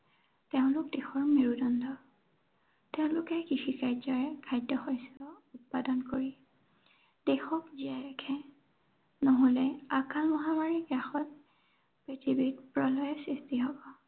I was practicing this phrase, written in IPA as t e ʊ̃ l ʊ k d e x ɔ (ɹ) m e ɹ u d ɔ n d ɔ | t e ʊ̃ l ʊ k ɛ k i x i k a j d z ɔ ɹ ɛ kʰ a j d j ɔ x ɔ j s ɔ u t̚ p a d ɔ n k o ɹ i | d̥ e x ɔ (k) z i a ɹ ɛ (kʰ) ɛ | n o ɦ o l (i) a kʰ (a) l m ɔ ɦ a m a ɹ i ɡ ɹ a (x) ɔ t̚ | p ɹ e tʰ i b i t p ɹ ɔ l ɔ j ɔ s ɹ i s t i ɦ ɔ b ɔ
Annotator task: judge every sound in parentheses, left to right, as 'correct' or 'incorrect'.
correct, correct, correct, incorrect: ɛ, correct, correct

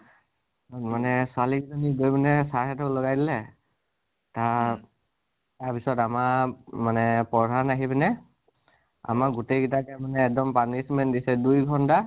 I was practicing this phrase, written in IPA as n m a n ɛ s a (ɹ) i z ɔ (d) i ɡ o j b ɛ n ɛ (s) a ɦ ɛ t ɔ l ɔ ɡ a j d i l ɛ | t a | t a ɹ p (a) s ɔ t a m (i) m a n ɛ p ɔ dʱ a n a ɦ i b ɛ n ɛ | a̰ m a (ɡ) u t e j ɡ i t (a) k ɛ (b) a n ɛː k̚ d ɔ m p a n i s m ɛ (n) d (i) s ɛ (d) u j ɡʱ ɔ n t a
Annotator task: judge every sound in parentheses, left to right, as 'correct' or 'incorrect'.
incorrect: l, incorrect: n, correct, incorrect: i, incorrect: a, correct, correct, incorrect: m, correct, correct, correct

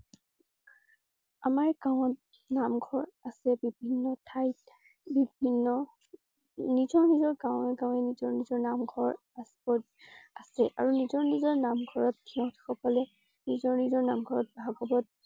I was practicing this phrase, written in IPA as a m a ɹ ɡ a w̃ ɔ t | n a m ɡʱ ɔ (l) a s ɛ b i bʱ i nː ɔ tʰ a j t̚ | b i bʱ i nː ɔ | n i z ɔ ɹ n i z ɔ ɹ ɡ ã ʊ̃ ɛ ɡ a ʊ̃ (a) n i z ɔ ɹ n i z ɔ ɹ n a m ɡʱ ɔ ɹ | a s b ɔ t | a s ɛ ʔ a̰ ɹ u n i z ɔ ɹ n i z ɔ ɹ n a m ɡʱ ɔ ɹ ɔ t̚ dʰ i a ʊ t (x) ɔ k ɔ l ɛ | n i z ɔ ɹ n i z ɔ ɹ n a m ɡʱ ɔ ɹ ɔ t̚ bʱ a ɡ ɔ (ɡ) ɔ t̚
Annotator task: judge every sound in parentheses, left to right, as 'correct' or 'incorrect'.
incorrect: ɹ, incorrect: ɛ, correct, incorrect: b

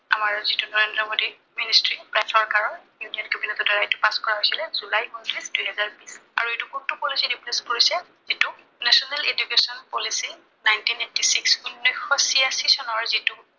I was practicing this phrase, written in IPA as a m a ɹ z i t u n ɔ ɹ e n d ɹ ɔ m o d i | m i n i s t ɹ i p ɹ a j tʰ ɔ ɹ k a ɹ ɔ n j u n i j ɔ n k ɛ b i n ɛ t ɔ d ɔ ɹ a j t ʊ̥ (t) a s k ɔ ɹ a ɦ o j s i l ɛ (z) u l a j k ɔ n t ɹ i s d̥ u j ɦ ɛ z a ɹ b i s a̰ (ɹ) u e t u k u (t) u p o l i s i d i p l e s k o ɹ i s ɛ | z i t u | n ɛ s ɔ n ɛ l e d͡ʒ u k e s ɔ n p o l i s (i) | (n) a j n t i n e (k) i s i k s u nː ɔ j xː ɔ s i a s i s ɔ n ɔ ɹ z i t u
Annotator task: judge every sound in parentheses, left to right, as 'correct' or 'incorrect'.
incorrect: p, correct, correct, correct, correct, correct, incorrect: t

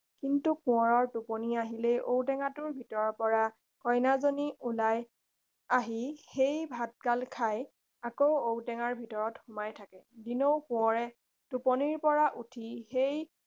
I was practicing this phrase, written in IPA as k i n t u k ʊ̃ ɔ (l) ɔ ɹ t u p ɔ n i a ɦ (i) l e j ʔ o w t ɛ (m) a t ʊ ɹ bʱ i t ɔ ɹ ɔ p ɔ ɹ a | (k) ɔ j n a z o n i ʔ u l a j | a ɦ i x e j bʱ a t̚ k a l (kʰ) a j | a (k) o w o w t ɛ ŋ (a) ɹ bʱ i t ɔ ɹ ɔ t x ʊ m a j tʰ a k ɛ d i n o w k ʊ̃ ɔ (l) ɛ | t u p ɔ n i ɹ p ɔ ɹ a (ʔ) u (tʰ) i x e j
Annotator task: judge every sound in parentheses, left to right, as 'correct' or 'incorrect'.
incorrect: ɹ, correct, incorrect: ŋ, correct, correct, correct, correct, incorrect: ɹ, correct, correct

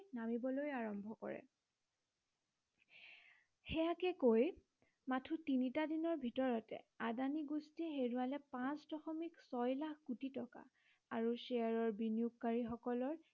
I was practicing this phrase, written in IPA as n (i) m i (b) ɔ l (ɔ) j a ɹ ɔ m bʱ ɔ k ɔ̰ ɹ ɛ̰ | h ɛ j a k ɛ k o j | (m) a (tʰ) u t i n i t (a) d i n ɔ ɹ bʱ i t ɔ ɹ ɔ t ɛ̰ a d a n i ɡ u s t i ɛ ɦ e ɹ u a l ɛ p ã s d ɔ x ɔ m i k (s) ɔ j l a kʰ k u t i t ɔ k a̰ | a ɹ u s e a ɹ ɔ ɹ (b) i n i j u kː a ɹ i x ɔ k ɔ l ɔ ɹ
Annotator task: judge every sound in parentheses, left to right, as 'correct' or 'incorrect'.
incorrect: a, correct, incorrect: o, correct, correct, correct, correct, correct

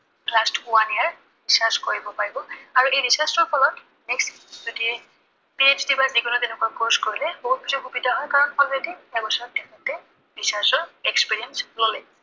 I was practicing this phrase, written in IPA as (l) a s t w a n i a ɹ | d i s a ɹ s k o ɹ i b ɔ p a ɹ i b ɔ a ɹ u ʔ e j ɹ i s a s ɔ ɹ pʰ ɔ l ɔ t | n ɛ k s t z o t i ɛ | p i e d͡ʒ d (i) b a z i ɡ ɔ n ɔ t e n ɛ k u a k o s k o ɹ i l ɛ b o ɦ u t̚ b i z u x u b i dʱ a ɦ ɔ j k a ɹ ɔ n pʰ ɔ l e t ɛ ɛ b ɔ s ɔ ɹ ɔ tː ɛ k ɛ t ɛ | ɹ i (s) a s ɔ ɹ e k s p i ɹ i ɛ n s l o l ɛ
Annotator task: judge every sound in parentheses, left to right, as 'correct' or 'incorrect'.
correct, correct, correct

